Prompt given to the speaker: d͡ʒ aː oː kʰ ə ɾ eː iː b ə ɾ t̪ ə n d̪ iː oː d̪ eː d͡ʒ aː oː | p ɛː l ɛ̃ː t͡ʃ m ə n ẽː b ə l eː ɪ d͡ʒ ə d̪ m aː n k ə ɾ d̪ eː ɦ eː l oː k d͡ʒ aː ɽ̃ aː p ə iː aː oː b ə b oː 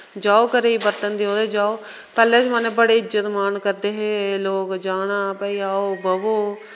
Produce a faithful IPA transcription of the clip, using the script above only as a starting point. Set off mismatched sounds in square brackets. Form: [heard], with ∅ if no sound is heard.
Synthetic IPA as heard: d͡ʒ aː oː [k] ə ɾ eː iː b ə ɾ t̪ ə n d̪ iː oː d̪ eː d͡ʒ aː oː | p ɛː l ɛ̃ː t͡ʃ m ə n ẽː b ə [ɽ] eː ɪ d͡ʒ ə [t̪] m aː n k ə ɾ d̪ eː ɦ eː l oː k d͡ʒ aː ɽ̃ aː p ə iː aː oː b ə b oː